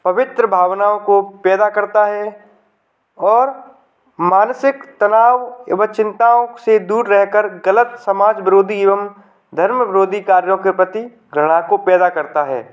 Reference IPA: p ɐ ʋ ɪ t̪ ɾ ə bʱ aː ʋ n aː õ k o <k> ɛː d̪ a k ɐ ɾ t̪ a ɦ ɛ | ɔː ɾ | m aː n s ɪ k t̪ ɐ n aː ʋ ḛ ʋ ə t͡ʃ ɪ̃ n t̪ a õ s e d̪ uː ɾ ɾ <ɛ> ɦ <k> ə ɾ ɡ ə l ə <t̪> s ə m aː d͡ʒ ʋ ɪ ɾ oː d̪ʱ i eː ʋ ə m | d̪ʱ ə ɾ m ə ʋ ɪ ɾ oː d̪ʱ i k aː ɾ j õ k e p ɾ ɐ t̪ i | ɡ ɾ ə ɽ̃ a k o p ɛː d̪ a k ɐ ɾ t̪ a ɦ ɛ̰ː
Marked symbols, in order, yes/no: no, yes, yes, yes

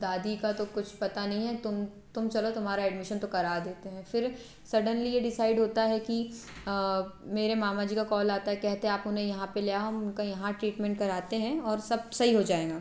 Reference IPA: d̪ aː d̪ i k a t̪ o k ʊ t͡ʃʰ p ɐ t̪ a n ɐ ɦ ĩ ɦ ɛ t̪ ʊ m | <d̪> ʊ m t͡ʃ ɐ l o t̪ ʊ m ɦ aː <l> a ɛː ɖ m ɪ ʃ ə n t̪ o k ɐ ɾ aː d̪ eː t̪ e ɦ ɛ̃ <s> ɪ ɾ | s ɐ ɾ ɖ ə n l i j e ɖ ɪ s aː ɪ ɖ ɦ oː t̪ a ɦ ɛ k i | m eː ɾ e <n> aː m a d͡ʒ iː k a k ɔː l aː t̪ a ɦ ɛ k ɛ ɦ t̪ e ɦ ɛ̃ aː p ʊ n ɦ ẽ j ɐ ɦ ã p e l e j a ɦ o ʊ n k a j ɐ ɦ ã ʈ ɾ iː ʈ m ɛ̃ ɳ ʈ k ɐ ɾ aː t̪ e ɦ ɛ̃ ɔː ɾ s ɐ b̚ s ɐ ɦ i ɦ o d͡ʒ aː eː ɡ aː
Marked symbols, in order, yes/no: no, no, no, no

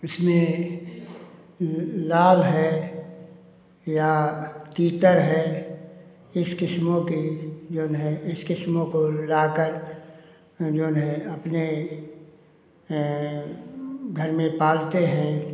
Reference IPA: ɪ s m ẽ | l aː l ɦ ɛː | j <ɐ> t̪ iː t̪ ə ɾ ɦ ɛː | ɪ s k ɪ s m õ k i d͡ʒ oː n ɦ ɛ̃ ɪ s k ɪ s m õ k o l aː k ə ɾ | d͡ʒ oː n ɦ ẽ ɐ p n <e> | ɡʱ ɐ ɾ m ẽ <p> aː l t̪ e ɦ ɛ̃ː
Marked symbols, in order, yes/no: no, yes, yes

